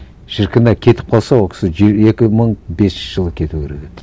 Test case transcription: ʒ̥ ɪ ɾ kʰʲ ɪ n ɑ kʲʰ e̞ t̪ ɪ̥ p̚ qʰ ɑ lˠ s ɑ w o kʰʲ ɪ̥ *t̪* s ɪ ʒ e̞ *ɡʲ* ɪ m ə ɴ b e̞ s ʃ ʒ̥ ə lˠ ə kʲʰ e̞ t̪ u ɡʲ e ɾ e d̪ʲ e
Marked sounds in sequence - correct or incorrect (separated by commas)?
incorrect, incorrect